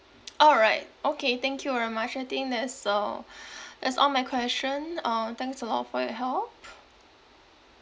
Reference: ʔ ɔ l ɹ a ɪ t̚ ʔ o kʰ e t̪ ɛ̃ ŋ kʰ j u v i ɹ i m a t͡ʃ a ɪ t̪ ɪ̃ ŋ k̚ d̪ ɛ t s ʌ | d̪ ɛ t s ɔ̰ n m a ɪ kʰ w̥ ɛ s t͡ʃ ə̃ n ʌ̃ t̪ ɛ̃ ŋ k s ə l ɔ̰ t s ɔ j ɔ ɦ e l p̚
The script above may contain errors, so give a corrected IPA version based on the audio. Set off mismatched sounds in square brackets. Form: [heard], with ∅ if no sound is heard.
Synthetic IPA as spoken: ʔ ɔ l ɹ a ɪ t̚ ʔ o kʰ e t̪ ɛ̃ ŋ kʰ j u v [ɛ] ɹ i m a t͡ʃ a ɪ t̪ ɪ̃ ŋ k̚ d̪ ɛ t s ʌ | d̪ ɛ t s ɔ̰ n m a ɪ kʰ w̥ ɛ s t͡ʃ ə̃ n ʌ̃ t̪ ɛ̃ ŋ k s ə l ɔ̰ t [f] ɔ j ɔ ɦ [ɛ] l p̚